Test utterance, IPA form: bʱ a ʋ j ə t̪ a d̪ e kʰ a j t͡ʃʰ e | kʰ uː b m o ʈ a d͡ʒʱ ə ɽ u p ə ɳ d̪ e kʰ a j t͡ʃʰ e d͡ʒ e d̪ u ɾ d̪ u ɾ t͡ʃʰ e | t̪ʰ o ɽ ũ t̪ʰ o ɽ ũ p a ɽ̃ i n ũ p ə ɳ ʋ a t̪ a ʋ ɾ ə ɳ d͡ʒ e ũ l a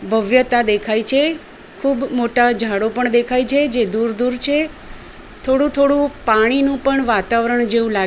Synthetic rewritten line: bʱ ə ʋ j ə t̪ a d̪ e kʰ a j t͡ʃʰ e | kʰ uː b m o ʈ a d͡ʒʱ a ɽ o p ə ɳ d̪ e kʰ a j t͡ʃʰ e d͡ʒ e d̪ u ɾ d̪ u ɾ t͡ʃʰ e | t̪ʰ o ɽ ũ t̪ʰ o ɽ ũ p a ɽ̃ i n ũ p ə ɳ ʋ a t̪ a ʋ ɾ ə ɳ d͡ʒ e ũ l a